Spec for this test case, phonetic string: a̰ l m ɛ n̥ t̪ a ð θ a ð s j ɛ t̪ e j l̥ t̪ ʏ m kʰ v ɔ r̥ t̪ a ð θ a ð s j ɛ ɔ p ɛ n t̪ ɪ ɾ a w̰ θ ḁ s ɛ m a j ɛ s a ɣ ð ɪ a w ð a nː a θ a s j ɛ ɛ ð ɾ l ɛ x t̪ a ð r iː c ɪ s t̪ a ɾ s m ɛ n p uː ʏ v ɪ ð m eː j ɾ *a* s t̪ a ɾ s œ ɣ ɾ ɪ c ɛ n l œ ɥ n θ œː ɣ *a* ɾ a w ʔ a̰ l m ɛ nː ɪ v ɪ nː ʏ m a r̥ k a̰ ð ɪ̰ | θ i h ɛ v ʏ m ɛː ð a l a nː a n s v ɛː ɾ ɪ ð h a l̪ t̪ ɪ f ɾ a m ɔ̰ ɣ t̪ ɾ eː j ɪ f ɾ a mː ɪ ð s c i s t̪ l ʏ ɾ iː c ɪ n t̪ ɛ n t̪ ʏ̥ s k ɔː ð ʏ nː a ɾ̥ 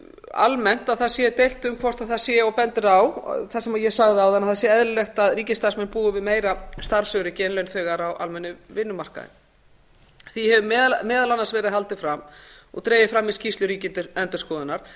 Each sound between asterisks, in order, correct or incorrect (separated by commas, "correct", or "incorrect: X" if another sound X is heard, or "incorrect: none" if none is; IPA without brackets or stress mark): correct, correct